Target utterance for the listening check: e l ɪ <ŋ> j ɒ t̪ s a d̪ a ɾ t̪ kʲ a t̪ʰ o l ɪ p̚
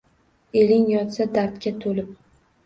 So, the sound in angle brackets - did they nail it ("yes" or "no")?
yes